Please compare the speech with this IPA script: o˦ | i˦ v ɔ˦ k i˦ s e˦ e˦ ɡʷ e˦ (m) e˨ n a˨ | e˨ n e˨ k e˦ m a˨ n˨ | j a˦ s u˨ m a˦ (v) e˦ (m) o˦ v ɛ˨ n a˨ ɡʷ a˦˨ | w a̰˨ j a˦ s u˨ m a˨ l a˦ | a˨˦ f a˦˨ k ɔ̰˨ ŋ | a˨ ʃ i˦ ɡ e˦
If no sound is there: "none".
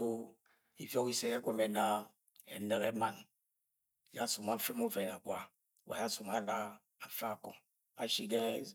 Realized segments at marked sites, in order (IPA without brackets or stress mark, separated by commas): m, f, m